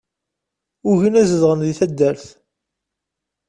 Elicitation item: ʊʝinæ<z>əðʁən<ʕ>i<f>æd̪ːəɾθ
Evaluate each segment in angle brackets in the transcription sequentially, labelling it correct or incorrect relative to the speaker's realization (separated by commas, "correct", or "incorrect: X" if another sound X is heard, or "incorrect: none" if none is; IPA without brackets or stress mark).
correct, incorrect: ð, incorrect: θ